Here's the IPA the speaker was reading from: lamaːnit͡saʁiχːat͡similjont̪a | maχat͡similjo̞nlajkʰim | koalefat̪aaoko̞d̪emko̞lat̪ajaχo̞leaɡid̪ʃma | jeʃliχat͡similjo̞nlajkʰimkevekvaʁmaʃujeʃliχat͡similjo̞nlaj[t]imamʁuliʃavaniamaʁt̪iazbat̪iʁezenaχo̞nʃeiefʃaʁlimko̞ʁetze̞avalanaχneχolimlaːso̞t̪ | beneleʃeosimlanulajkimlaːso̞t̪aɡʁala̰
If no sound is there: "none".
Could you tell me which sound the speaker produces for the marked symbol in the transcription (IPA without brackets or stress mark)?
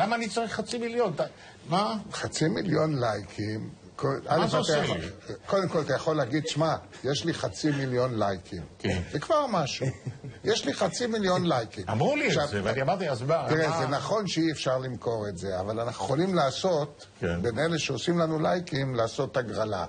k